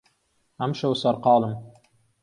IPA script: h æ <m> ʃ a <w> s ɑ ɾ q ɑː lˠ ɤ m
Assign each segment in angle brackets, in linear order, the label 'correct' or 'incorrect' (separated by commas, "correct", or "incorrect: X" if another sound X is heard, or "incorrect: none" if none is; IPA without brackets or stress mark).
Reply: correct, correct